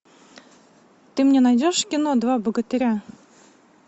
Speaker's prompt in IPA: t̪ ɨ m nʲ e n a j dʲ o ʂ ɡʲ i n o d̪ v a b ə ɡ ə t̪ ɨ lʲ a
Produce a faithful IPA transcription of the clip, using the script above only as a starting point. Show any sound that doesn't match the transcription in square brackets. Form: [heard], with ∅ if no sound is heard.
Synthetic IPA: t̪ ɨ m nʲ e n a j dʲ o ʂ [kʲ] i n o d̪ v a b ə ɡ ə t̪ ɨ [ɾʲ] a